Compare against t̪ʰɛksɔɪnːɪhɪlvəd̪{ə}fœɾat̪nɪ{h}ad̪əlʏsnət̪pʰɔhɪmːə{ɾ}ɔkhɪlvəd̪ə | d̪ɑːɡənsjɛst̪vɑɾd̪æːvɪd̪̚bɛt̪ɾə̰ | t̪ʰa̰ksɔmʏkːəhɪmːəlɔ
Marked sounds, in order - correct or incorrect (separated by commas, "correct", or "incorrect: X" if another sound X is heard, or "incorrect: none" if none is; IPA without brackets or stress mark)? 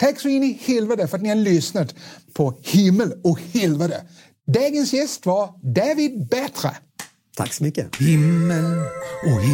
correct, correct, incorrect: l